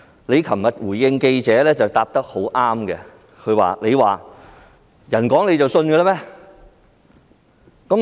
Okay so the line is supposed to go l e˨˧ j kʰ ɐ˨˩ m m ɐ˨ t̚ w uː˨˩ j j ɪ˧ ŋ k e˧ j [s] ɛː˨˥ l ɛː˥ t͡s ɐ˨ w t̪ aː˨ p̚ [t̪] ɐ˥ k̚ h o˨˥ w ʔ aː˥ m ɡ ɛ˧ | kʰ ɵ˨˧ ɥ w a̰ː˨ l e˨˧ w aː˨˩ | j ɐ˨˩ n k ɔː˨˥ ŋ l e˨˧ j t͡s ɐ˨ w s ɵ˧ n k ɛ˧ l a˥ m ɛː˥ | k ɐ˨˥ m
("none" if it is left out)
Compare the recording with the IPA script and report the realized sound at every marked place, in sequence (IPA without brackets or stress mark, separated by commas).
t͡s, t̪